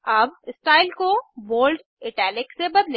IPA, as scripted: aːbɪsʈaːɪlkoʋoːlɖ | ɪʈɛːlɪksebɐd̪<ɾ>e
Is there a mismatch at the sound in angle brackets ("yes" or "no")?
yes